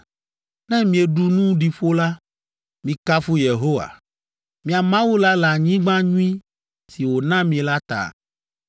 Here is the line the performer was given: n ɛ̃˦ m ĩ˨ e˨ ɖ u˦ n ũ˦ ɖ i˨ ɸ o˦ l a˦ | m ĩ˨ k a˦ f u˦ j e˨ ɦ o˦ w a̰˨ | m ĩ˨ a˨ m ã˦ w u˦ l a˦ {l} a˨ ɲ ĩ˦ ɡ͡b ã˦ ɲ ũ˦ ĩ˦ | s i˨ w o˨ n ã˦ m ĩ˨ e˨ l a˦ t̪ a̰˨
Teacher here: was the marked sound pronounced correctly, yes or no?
yes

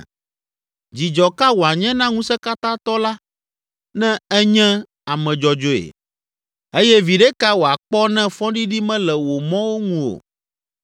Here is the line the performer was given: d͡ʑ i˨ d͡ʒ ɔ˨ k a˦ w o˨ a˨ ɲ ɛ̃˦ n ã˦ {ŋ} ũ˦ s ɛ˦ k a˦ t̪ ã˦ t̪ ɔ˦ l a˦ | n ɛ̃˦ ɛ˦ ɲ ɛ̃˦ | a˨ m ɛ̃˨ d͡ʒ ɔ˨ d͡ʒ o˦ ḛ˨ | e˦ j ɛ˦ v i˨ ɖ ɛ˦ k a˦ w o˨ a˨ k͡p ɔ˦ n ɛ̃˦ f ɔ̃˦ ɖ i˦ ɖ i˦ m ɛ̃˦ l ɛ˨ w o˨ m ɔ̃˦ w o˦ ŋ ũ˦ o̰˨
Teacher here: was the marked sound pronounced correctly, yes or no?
yes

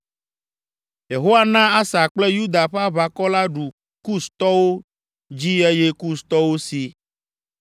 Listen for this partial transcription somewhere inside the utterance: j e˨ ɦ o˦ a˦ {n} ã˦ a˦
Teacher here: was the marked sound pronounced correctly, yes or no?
yes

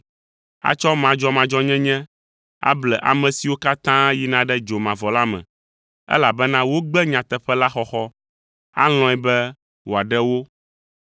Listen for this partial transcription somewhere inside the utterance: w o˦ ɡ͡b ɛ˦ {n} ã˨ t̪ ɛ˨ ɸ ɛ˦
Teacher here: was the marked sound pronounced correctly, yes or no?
no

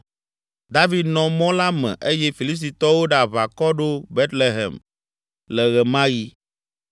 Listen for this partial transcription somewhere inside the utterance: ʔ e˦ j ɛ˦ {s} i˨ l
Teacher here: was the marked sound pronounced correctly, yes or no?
no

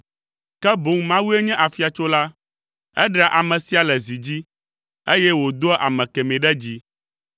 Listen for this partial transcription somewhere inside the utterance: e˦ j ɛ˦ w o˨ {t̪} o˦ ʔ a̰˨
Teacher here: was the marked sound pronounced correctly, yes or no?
no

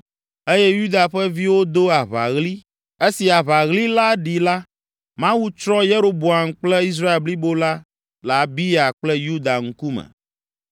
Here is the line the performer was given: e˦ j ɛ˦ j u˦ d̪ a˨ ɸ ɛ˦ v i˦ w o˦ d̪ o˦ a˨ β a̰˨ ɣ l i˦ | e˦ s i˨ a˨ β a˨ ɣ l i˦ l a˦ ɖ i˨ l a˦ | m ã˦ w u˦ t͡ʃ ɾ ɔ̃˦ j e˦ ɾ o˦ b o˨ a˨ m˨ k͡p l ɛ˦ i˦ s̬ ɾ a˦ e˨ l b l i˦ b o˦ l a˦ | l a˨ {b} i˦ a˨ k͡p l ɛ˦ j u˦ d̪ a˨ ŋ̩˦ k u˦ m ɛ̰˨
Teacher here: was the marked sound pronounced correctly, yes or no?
yes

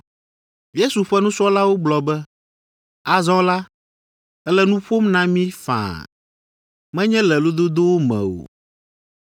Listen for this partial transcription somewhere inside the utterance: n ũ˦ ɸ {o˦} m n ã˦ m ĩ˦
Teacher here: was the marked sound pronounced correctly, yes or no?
yes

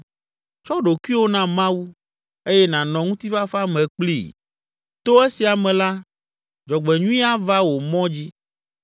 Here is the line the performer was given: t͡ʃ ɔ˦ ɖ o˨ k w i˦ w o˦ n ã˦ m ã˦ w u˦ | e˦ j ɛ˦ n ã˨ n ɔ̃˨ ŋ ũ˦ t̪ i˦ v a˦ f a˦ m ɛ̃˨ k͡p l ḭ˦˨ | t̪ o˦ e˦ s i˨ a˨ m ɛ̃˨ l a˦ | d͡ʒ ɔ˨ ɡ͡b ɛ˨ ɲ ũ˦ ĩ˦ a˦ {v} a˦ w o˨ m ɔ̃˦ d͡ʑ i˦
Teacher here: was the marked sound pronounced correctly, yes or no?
yes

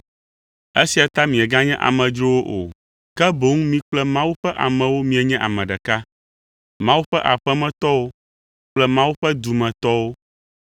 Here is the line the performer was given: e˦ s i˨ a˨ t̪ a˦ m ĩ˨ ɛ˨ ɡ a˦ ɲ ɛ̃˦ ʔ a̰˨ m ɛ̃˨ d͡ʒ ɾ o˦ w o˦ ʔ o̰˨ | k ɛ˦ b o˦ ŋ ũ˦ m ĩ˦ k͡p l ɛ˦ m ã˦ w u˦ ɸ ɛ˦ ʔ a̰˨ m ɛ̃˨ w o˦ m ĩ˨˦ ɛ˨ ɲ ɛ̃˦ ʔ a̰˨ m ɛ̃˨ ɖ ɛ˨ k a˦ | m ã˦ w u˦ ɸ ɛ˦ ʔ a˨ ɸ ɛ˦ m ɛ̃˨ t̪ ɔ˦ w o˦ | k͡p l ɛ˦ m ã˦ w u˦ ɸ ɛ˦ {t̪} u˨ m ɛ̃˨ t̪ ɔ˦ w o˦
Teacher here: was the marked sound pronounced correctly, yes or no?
no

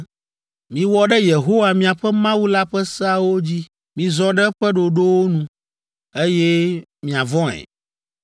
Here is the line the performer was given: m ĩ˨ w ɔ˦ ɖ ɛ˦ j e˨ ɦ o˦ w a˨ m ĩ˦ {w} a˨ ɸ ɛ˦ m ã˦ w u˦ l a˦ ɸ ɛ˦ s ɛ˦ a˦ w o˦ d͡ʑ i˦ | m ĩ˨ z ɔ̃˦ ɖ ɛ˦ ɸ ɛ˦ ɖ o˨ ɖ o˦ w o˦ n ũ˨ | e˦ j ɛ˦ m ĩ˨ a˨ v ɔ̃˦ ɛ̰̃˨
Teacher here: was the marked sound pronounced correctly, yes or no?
no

